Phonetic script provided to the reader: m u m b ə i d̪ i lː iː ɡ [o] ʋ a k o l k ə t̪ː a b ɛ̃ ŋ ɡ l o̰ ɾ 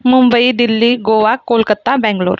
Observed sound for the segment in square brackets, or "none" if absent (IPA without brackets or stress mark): o